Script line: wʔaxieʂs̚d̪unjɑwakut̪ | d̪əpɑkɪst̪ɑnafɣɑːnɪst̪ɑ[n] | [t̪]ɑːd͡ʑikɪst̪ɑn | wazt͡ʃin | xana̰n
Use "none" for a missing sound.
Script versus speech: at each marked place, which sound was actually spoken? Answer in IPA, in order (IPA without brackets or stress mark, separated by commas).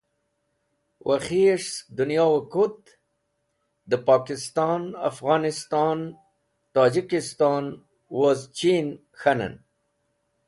n, t̪